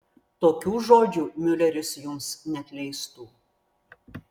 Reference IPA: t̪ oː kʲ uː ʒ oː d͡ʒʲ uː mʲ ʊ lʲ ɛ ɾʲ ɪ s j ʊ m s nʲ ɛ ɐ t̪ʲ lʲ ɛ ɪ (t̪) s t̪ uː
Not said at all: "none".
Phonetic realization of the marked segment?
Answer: none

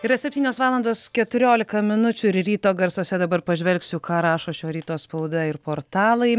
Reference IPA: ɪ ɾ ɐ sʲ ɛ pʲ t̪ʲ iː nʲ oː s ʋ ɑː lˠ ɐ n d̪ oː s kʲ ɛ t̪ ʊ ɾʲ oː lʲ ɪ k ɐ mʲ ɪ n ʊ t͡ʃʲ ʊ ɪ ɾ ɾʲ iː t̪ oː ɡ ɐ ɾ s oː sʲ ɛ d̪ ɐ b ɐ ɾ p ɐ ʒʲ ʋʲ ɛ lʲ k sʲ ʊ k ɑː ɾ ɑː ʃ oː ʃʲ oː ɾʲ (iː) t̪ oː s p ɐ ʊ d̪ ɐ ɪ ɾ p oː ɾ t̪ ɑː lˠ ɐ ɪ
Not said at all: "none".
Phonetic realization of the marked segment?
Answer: iː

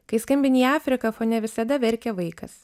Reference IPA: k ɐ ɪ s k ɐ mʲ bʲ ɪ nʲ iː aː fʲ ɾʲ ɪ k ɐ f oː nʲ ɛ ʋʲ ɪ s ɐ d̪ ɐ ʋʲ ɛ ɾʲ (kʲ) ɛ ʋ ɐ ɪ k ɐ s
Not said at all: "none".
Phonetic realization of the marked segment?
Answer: kʲ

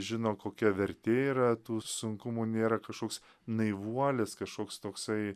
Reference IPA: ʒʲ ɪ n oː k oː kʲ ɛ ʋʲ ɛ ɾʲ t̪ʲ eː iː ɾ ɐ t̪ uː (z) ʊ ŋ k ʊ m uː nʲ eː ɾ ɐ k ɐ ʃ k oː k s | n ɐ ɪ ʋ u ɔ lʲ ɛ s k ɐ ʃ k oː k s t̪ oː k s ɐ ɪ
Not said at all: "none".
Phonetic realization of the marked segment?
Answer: s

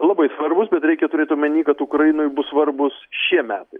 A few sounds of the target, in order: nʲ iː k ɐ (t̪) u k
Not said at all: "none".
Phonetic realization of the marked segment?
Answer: t̪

